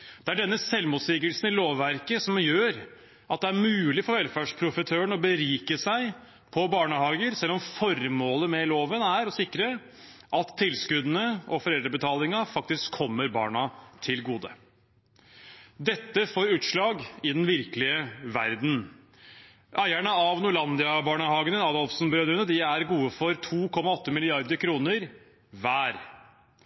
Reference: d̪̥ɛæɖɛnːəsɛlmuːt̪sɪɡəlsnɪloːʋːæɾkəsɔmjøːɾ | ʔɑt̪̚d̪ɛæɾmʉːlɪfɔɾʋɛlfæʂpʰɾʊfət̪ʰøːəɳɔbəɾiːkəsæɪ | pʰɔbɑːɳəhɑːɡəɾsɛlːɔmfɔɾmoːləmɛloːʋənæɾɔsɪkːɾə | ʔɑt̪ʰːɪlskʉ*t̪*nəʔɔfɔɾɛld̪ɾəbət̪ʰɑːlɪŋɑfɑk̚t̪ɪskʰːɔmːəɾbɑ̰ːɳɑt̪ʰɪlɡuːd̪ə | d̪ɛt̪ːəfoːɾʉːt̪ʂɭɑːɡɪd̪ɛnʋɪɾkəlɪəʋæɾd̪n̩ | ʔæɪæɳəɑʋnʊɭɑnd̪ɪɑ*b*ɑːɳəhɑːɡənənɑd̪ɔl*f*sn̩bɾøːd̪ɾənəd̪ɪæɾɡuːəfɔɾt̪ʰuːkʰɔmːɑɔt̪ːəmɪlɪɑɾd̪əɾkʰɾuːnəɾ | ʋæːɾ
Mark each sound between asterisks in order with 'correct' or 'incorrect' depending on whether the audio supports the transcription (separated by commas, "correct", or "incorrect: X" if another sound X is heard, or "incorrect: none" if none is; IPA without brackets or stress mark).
incorrect: d̪, correct, correct